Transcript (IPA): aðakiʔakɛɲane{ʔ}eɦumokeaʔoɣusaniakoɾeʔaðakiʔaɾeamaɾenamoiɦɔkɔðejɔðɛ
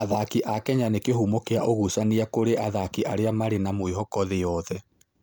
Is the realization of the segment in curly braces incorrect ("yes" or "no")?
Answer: yes